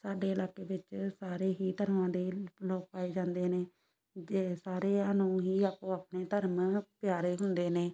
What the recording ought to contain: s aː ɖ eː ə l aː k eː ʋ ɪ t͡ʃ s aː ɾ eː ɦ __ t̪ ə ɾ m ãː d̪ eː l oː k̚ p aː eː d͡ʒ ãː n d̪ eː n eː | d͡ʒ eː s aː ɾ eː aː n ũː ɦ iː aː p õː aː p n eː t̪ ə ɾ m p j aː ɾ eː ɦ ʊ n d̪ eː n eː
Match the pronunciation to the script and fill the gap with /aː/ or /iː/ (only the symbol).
iː